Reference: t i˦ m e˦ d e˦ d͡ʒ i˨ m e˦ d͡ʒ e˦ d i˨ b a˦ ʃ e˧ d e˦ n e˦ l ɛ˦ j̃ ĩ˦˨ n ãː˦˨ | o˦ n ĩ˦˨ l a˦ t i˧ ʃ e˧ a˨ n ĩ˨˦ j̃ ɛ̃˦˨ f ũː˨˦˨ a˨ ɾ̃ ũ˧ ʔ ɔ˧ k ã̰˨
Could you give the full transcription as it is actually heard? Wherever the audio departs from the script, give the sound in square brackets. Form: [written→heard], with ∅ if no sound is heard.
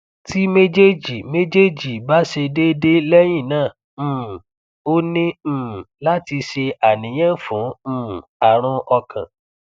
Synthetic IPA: t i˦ m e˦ [d→d͡ʒ] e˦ d͡ʒ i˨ m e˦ d͡ʒ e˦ [d→d͡ʒ] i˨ b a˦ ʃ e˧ d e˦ [n→d] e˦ l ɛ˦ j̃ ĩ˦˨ n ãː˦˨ | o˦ n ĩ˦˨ l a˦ t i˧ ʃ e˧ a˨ n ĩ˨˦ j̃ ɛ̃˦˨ f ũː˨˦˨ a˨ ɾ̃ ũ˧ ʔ ɔ˧ k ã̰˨